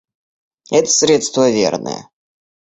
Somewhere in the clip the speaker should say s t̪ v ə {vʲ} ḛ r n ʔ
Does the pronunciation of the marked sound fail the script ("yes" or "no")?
no